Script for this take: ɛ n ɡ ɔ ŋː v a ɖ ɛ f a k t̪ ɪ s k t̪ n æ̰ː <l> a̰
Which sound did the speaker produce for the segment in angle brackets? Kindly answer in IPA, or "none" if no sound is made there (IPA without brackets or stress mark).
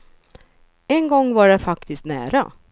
ɾ